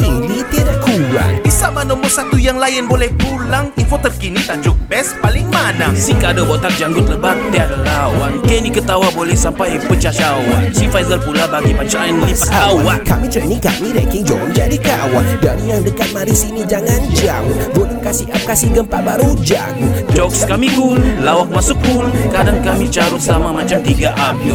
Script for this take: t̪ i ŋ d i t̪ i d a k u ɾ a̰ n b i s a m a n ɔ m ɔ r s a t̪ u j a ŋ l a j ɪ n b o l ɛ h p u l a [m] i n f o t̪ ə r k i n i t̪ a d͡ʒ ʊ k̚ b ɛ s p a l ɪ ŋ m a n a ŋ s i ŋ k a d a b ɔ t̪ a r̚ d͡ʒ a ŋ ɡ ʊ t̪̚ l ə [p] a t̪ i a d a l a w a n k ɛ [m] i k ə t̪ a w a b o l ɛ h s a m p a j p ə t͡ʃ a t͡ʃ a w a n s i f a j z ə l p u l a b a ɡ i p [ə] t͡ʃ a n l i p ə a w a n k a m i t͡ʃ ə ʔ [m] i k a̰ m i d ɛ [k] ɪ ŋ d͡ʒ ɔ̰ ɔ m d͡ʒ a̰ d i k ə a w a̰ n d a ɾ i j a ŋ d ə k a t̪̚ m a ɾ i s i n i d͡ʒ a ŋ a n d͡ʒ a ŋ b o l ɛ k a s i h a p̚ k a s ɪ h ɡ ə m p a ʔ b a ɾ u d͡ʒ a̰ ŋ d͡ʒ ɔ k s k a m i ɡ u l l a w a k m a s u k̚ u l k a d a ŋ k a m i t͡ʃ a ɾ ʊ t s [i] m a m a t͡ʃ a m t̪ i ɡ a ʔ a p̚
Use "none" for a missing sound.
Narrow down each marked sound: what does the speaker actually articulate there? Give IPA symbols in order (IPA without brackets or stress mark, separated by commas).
ŋ, b, n, a, n, k, a